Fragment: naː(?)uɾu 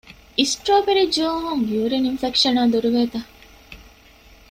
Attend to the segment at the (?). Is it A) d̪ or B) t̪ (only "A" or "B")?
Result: A